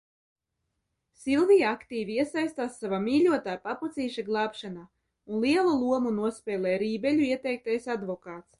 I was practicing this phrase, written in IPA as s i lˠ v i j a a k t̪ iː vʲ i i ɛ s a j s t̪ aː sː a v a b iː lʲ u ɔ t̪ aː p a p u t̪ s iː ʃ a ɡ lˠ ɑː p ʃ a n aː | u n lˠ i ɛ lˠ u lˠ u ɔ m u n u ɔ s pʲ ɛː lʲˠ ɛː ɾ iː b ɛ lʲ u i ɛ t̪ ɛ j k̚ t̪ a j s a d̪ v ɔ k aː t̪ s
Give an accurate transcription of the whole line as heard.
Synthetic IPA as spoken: s i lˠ v i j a a k t̪ iː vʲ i i ɛ s a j s t̪ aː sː a v a m iː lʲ u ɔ t̪ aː p a p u t̪ s iː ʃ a ɡ lˠ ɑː p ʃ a n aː | u n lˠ i ɛ lˠ u lˠ u ɔ m u n u ɔ s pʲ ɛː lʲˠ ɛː ɾ iː b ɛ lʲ u i ɛ t̪ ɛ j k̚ t̪ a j s a d̪ v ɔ k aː t̪ s